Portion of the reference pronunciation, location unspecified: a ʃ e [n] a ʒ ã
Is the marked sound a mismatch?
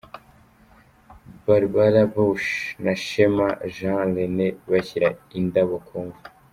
yes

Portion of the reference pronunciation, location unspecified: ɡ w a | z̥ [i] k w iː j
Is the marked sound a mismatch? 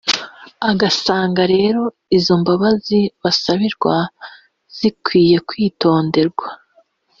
no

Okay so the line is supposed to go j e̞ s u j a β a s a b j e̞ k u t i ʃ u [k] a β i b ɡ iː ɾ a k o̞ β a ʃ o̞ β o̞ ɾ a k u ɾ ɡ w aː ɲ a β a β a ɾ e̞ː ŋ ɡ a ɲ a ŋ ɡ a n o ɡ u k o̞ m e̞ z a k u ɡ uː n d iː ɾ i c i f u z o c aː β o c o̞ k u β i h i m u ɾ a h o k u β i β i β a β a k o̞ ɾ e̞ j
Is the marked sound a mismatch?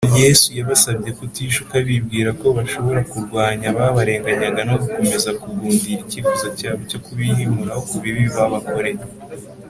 no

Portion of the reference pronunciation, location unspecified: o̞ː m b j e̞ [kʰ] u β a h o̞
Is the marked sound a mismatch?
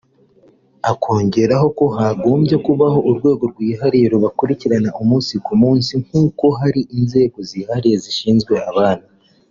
yes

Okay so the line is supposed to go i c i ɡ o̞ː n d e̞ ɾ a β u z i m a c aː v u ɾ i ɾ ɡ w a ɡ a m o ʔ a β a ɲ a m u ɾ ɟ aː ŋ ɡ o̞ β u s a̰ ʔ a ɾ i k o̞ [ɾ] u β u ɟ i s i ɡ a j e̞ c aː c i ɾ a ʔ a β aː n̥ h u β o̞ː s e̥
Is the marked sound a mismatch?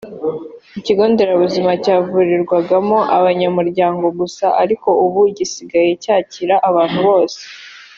yes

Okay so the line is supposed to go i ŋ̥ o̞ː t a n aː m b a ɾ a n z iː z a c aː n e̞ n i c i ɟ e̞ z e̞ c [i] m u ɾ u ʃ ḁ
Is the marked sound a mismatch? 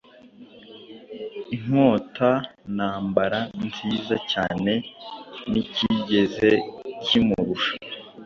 no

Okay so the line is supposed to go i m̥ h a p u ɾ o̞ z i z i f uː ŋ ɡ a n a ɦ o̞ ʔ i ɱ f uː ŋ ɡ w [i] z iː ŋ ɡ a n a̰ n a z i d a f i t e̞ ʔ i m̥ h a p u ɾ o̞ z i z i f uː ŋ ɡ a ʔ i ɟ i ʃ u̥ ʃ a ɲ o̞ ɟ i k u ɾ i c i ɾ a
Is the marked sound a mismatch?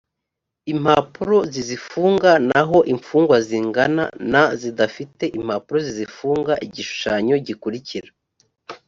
yes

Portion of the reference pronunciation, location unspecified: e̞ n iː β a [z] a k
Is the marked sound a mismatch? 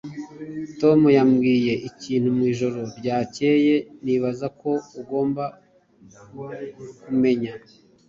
no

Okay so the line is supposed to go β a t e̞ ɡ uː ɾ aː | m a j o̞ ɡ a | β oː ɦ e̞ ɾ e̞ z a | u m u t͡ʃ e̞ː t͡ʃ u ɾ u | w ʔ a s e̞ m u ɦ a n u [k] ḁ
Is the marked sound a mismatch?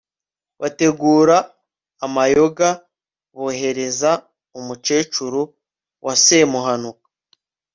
no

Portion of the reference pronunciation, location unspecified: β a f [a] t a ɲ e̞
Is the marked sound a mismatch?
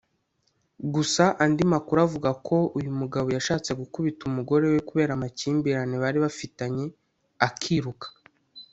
yes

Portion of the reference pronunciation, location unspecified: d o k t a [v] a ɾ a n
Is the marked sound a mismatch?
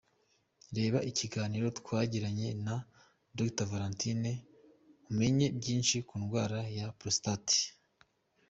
no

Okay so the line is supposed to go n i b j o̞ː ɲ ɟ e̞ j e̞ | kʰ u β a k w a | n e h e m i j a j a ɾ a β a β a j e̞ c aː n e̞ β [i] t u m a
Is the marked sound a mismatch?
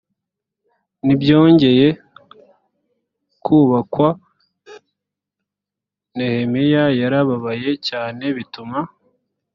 no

